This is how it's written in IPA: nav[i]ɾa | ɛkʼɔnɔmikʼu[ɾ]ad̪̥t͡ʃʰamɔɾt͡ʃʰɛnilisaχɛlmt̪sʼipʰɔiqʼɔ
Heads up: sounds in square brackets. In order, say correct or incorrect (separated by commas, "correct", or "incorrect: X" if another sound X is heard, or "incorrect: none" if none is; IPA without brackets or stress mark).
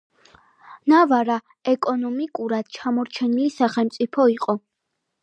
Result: incorrect: a, correct